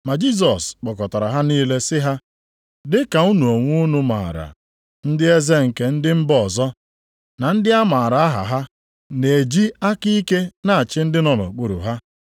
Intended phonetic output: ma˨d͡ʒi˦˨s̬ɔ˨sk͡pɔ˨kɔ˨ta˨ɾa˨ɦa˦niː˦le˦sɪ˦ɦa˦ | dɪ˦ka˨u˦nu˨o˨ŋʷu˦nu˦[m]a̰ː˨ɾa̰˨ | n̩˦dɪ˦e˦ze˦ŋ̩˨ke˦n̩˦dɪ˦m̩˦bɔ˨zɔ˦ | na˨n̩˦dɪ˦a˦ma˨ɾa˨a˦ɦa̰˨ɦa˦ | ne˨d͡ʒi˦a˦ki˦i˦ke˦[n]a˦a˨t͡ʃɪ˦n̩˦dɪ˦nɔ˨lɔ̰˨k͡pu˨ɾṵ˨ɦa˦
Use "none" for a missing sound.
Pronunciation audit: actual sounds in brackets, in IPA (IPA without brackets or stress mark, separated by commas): m, n